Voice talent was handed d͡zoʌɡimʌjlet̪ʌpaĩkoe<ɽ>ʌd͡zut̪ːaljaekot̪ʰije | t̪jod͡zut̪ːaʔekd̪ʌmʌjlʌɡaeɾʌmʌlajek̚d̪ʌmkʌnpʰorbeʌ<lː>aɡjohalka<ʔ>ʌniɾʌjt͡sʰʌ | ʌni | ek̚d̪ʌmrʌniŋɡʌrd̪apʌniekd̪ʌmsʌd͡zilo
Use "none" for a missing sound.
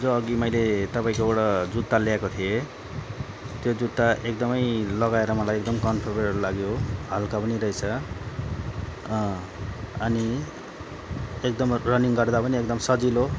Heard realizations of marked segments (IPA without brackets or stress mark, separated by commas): ɽ, l, p